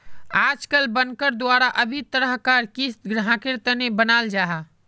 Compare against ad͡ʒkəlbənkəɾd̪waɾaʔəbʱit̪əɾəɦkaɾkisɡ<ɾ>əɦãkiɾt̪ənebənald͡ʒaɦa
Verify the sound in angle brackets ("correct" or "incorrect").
correct